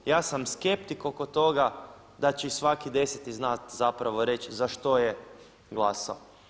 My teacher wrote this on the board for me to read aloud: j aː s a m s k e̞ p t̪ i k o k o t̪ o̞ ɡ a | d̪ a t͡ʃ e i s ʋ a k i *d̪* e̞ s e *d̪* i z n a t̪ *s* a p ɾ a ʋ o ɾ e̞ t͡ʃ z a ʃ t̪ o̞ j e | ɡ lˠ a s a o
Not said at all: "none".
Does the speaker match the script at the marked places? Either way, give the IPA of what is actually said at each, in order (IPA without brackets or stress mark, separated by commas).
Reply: d̪, t̪, z